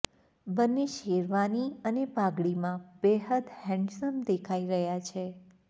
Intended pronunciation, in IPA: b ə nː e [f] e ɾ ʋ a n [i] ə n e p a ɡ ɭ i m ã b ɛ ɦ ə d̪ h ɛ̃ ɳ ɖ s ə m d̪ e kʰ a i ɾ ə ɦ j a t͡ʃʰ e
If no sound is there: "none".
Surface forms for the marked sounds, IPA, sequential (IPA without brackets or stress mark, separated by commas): ʃ, i